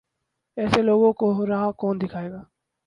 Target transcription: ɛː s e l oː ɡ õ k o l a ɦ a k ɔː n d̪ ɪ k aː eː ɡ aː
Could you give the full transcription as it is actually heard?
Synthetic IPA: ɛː s e l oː ɡ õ k o ɾ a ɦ a k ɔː n d̪ ɪ kʰ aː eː ɡ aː